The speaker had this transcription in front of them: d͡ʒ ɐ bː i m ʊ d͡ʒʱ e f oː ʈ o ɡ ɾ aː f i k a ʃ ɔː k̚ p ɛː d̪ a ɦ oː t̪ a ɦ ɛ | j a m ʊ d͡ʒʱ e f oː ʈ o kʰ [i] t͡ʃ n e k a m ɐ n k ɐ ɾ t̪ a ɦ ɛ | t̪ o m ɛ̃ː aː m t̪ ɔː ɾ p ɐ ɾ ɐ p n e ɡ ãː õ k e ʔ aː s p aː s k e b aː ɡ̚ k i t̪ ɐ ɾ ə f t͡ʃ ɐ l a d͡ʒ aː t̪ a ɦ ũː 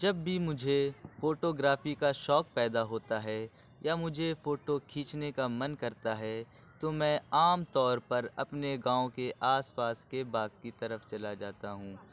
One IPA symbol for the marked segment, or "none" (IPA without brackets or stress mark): iː